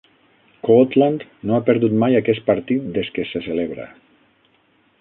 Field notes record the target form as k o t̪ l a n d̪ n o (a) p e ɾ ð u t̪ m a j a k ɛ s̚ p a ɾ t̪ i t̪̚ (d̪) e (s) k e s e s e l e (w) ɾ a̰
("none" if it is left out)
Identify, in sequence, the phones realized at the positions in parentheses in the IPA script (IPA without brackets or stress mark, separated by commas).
a, d̪, s, β